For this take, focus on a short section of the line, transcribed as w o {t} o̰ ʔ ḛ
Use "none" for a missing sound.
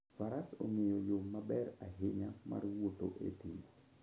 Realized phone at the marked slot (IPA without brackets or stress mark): t